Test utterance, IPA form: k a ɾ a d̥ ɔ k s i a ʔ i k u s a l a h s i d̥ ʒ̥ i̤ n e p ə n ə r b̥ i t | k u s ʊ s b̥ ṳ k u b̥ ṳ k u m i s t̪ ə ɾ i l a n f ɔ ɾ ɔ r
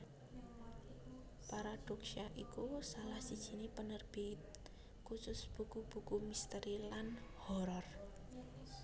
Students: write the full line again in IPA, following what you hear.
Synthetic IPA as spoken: p a ɾ a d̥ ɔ k s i a ʔ i k u s a l a h s i d̥ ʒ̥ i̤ n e p ə n ə r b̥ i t | k u s ʊ s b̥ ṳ k u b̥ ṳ k u m i s t̪ ə ɾ i l a n h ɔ ɾ ɔ r